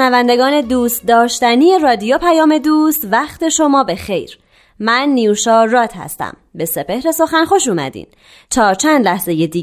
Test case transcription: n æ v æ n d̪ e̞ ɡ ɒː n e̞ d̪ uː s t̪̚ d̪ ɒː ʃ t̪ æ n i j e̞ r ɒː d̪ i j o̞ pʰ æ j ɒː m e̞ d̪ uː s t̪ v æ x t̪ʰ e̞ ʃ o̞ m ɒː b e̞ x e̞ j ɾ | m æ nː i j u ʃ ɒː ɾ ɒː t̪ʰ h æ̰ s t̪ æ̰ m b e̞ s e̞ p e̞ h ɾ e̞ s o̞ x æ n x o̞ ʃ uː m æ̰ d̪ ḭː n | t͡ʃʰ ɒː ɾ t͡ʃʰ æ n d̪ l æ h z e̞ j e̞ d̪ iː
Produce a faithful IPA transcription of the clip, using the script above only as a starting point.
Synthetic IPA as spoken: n æ v æ n d̪ e̞ ɡ ɒː n e̞ d̪ uː s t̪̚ d̪ ɒː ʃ t̪ æ n i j e̞ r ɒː d̪ i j o̞ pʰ æ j ɒː m e̞ d̪ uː s t̪ v æ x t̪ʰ e̞ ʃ o̞ m ɒː b e̞ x e̞ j ɾ | m æ nː i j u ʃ ɒː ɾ ɒː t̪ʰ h æ̰ s t̪ æ̰ m b e̞ s e̞ p e̞ h ɾ e̞ s o̞ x æ n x o̞ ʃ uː m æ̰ d̪ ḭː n | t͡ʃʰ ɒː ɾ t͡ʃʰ æ n d̪ l æ h z e̞ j e̞ d̪ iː